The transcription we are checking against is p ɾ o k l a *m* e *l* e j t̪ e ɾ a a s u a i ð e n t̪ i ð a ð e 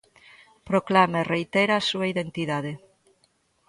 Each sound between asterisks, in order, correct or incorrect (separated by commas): correct, incorrect